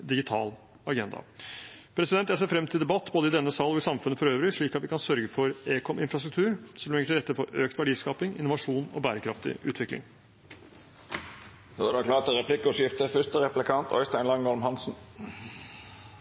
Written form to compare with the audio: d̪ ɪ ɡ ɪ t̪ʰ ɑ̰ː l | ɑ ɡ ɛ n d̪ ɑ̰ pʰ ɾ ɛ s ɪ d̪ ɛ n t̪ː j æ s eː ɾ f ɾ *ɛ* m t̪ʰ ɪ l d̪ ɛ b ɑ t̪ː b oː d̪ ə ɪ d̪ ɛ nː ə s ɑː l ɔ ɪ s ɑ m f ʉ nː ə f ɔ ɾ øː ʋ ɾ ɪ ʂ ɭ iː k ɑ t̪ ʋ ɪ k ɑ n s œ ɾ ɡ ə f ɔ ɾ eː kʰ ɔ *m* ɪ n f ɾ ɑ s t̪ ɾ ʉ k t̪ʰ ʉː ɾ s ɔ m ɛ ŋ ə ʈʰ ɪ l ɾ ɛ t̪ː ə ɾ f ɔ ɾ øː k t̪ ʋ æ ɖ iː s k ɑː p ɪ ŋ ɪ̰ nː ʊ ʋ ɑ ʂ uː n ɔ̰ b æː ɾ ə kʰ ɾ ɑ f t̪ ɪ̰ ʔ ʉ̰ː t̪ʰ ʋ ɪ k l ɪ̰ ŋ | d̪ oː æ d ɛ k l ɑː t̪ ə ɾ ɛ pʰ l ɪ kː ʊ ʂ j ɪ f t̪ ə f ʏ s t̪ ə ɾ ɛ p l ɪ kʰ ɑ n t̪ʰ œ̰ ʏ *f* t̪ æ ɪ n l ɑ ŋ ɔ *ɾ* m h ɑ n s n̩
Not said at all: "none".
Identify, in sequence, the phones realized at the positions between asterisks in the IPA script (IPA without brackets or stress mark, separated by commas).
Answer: ɛ, m, s, l